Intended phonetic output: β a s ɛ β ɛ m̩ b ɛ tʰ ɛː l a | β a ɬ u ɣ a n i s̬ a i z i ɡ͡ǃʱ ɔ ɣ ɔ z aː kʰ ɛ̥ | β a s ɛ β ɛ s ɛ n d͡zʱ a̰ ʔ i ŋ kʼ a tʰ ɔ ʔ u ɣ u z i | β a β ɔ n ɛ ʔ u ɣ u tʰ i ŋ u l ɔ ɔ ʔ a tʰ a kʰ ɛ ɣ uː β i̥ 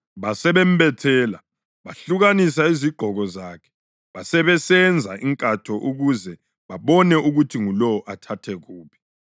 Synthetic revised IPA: β a s ɛ β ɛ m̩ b ɛ tʰ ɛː l a | β a ɬ u ɣ a n i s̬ a i z i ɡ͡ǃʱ ɔ ɣ ɔ z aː kʰ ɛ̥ | β a s ɛ β ɛ s ɛ n d͡zʱ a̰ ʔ i ŋ kʼ a tʰ ɔ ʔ u ɣ u z ɛ | β a β ɔ n ɛ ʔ u ɣ u tʰ i ŋ u l ɔ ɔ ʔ a tʰ a tʰ ɛ ɣ uː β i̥